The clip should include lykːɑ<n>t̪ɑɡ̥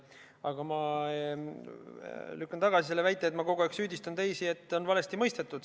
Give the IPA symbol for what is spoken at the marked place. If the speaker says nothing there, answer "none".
n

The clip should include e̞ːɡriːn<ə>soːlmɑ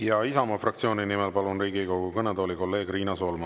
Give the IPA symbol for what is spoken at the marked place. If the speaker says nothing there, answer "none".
ɑ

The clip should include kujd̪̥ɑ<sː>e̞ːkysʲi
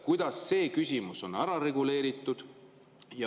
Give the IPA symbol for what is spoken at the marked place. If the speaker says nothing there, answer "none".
sː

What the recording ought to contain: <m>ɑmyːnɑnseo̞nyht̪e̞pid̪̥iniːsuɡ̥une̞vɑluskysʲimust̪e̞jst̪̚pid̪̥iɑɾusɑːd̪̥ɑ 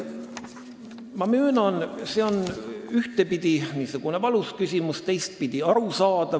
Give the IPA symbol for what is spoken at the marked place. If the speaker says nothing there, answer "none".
m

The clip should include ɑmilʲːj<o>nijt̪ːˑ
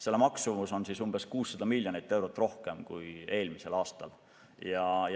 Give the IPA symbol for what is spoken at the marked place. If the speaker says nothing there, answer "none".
o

